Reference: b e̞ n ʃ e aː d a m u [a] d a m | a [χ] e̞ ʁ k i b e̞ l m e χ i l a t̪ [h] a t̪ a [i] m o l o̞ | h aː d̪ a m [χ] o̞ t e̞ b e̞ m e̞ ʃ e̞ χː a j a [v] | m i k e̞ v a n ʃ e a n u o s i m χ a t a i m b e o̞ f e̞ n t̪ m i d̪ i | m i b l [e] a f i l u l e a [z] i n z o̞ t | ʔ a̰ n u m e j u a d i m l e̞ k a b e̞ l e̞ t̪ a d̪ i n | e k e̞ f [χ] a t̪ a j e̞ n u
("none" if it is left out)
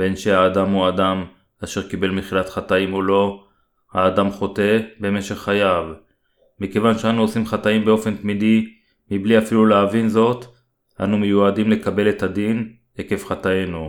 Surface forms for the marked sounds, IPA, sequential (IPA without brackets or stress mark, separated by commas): a, ʃ, χ, i, χ, v, i, v, χ